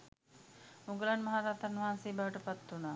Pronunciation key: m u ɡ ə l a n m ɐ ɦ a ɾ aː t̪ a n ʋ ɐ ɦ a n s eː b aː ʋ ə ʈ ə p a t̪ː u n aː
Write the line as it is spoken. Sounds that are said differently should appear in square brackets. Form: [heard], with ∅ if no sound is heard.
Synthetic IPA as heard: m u ɡ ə l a n m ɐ ɦ a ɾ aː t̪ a n ʋ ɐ ɦ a n s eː b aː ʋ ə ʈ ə p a t̪ː u n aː